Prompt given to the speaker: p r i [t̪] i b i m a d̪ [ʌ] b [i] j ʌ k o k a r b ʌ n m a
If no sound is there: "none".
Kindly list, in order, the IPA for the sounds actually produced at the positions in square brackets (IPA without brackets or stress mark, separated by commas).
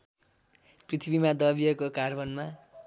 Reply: t̪ʰ, ʌ, i